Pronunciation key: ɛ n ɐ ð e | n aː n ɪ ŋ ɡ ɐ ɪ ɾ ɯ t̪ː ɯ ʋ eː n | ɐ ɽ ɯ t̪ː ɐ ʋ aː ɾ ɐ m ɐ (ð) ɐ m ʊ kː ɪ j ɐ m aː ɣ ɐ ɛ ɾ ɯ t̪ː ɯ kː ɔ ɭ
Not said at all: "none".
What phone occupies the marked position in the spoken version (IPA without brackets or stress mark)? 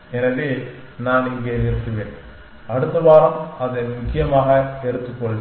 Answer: ð